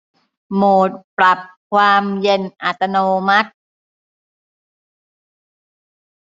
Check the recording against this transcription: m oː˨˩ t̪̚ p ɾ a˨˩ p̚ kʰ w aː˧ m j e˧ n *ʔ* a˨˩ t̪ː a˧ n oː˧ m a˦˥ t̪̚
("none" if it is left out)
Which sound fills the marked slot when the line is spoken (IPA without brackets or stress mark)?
ʔ